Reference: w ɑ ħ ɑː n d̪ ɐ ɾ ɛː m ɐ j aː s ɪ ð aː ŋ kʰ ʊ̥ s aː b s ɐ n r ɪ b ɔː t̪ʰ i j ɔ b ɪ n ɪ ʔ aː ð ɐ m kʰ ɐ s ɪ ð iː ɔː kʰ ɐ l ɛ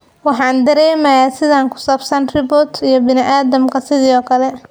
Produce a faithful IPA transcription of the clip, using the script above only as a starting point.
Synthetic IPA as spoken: w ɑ ħ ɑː n d̪ ɐ ɾ ɛː m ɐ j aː s ɪ ð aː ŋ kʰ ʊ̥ s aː b s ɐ n r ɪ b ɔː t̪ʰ i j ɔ b ɪ n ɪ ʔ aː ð ɐ m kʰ ɐ s ɪ ð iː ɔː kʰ ɐ l ɛ